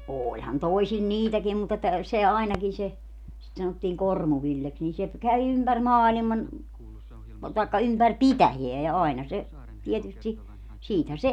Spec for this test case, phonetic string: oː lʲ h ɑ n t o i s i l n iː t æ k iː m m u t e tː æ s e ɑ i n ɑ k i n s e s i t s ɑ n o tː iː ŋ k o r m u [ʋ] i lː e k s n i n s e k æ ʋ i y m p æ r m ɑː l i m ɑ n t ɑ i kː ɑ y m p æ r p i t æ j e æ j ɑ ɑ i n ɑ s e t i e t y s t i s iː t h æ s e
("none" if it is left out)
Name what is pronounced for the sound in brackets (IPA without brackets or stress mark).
ʋ